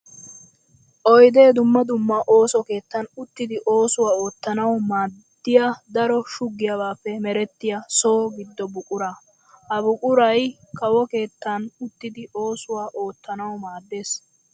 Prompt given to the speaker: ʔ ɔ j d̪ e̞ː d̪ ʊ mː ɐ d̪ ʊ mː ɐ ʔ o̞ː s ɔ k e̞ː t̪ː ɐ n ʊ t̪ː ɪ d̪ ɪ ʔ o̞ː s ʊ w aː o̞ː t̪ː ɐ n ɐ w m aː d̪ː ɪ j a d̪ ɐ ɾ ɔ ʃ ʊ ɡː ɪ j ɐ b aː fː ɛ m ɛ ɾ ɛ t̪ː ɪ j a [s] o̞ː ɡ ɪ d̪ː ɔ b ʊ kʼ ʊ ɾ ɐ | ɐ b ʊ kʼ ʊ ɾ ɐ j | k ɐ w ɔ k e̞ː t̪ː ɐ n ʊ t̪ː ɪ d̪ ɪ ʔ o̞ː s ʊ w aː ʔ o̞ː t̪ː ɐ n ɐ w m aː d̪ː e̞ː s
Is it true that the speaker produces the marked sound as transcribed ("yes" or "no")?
yes